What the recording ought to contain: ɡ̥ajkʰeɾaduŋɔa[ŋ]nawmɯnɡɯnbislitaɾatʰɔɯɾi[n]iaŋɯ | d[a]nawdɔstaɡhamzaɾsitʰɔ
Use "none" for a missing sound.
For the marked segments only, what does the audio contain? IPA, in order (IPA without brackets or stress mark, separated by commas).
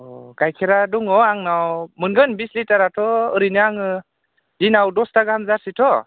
ŋ, n, i